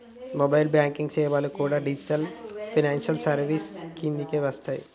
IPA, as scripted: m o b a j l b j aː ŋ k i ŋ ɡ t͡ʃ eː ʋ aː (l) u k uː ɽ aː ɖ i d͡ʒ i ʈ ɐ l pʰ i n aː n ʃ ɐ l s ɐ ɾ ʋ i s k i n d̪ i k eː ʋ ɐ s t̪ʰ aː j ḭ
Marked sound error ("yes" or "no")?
no